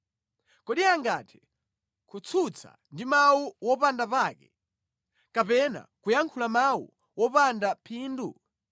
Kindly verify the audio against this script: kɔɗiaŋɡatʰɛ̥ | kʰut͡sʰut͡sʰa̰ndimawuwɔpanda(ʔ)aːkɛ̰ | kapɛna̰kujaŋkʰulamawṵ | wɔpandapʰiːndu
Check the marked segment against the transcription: incorrect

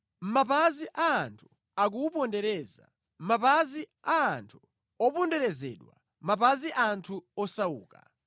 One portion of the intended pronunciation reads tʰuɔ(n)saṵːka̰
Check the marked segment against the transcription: incorrect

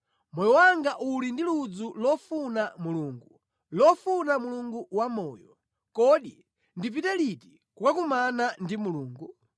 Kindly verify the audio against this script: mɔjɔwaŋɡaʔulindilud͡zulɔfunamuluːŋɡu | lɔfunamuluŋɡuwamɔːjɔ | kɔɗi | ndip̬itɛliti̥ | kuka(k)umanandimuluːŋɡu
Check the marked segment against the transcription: correct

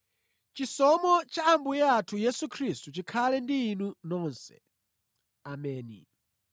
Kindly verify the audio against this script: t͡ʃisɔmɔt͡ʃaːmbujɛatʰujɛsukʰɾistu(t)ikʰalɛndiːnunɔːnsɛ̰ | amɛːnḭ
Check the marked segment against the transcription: incorrect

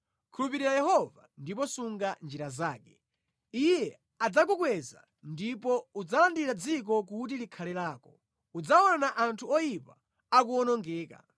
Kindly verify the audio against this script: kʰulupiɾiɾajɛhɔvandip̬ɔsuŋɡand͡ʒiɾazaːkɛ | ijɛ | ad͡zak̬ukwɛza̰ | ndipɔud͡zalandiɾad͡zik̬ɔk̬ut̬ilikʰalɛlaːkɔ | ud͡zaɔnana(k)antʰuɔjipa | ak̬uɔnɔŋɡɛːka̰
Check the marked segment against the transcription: incorrect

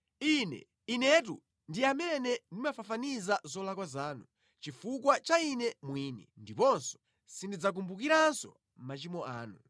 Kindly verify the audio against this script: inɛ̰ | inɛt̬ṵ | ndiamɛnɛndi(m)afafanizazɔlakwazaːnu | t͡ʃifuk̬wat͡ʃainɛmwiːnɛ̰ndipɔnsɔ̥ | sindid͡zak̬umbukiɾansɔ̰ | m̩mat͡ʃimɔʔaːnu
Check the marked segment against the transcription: correct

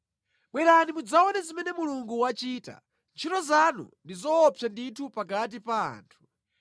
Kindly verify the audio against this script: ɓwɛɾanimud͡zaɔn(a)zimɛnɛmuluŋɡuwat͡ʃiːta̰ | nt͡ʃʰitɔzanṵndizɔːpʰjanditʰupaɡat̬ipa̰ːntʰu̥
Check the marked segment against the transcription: incorrect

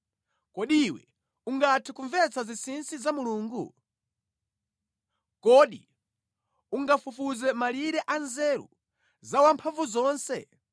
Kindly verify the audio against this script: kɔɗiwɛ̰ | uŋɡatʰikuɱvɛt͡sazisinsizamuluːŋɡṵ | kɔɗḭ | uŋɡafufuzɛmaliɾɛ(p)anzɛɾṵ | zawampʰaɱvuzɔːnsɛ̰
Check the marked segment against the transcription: incorrect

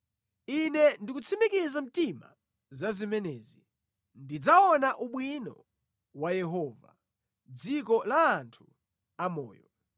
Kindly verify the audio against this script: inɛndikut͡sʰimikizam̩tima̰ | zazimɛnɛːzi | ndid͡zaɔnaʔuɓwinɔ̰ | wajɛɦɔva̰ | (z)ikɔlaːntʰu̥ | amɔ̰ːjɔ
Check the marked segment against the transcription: incorrect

